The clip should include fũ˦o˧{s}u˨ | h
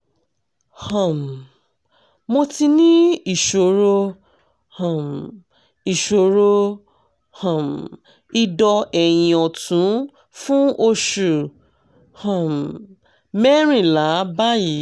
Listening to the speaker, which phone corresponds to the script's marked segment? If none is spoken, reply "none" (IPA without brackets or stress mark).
ʃ